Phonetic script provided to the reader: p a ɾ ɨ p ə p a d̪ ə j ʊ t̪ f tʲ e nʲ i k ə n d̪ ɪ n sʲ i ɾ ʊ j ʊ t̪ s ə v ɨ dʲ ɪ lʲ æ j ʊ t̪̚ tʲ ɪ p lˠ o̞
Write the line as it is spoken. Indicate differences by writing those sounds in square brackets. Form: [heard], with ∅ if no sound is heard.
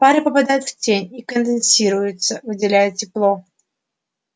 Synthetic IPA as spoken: p a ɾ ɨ p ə p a d̪ [a] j ʊ t̪ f tʲ e nʲ i k ə n d̪ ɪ n sʲ i ɾ ʊ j ʊ t̪ s ə v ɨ dʲ ɪ lʲ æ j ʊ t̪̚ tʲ ɪ p lˠ o̞

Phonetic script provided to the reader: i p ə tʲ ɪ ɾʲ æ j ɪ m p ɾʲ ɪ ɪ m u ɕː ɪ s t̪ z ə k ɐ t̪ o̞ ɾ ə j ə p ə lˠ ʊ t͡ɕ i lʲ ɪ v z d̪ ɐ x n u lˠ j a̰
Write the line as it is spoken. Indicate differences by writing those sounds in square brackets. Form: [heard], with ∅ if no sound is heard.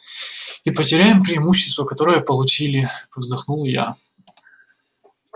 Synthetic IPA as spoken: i p ə tʲ ɪ ɾʲ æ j ɪ m p ɾʲ ɪ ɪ m u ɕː ɪ s t̪ [v] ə k ɐ t̪ o̞ ɾ ə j ə p ə lˠ ʊ t͡ɕ i lʲ ɪ v z d̪ ɐ x n u lˠ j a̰

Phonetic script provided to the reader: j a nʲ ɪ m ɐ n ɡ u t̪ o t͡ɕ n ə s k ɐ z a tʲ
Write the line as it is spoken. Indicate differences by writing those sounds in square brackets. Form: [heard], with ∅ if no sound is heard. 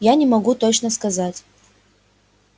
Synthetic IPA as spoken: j a nʲ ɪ m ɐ [∅] ɡ u t̪ o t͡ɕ n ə s k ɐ z a tʲ

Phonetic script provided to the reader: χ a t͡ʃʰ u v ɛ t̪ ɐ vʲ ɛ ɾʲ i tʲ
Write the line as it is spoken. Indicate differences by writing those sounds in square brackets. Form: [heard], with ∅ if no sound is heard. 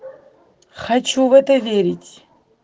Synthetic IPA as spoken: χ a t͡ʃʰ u v ɛ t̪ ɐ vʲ [e] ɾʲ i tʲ

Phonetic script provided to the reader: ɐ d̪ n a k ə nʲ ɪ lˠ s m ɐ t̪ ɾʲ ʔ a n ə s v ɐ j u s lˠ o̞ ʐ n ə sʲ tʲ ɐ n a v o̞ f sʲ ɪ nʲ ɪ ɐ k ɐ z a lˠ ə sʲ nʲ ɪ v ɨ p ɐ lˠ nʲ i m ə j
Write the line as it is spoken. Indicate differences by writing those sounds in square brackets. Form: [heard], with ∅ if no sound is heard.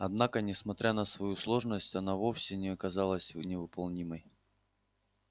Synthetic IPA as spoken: ɐ d̪ n a k ə nʲ ɪ [∅] s m ɐ t̪ ɾʲ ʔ a n ə s v ɐ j u s lˠ o̞ ʐ n ə sʲ tʲ ɐ n a v o̞ f sʲ ɪ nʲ ɪ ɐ k ɐ z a lˠ ə sʲ nʲ ɪ v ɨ p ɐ lˠ nʲ i m ə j

